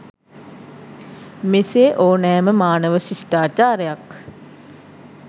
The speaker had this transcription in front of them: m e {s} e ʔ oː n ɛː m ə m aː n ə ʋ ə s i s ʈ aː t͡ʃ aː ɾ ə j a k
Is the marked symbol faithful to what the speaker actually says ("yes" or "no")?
yes